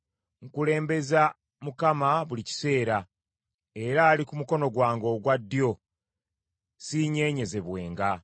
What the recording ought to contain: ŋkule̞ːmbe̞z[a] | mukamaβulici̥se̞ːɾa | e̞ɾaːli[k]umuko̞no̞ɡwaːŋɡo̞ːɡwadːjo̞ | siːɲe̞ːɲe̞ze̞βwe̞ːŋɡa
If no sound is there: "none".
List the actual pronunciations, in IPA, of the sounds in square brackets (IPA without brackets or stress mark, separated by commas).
a, k